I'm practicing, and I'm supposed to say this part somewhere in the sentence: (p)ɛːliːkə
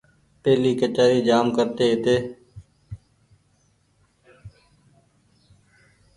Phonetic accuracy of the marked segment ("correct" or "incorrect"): correct